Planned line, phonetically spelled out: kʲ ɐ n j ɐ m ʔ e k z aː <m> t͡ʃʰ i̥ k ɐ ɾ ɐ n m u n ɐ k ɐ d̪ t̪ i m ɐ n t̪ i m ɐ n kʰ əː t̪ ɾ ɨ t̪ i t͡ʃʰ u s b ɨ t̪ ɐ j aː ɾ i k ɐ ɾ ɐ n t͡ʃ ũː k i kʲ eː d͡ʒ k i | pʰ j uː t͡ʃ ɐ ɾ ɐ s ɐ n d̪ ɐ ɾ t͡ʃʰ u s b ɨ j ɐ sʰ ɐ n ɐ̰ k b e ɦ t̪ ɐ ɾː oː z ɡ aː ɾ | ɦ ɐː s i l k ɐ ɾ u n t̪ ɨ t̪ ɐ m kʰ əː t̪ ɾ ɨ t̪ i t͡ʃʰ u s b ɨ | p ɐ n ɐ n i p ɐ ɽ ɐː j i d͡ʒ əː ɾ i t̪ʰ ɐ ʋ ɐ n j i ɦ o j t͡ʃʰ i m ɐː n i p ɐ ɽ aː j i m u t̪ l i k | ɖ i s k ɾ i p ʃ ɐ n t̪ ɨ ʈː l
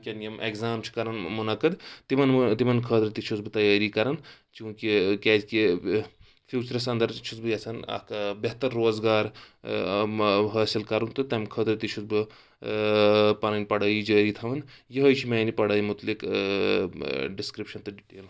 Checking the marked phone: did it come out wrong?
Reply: no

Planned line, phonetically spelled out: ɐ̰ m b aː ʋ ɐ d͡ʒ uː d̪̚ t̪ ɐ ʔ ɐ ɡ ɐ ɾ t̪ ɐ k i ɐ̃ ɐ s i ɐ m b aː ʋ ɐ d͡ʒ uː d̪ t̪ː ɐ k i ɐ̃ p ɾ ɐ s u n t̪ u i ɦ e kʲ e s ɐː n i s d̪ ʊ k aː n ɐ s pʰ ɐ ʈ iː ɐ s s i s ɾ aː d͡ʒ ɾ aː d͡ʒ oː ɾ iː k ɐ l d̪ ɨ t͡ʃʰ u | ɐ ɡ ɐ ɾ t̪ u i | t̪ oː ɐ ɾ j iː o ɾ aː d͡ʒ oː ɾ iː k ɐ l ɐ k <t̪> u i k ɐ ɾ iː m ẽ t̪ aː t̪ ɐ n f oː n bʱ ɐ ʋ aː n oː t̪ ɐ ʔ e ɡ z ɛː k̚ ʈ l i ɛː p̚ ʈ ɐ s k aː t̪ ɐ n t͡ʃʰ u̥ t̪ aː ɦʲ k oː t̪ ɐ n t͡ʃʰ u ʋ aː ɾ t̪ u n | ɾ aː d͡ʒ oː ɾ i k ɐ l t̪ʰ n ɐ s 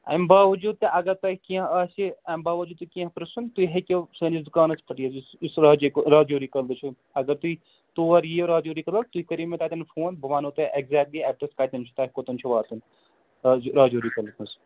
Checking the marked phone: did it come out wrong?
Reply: no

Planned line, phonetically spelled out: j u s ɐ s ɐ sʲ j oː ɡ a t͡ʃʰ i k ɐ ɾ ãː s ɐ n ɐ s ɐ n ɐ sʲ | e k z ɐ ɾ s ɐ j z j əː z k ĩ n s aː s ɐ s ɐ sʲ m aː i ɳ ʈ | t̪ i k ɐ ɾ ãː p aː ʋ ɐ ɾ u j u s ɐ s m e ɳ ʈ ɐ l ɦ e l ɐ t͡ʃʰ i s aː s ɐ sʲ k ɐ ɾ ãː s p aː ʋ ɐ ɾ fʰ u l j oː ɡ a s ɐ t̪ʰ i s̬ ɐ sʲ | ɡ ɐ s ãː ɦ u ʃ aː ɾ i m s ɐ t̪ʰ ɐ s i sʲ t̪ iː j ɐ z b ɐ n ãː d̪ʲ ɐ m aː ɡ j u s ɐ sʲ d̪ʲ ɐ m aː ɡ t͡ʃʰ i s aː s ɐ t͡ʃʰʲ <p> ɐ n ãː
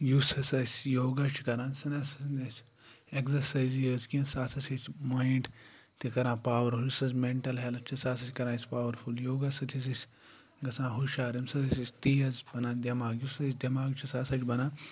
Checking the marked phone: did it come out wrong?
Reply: yes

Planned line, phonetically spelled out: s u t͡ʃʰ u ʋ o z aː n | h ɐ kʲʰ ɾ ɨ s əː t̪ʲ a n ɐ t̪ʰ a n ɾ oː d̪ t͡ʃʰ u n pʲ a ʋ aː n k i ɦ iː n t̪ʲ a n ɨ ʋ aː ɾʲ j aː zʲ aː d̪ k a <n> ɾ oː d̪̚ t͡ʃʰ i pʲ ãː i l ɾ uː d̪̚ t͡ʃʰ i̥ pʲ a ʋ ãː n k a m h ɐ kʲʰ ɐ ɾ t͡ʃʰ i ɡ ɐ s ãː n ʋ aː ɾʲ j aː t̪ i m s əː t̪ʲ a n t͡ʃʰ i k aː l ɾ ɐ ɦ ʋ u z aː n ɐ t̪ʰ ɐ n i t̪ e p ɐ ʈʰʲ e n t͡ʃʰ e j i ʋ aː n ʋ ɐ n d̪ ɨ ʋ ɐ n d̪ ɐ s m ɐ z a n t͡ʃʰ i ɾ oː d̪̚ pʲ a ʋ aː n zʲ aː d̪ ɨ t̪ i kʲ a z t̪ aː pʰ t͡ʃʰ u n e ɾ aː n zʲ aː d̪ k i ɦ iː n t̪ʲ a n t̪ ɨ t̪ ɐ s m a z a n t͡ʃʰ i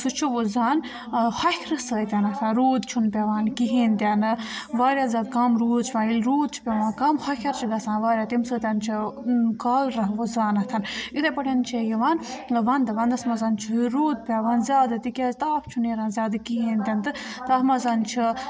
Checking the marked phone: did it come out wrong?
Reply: yes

